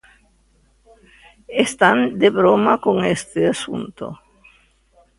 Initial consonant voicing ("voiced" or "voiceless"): voiceless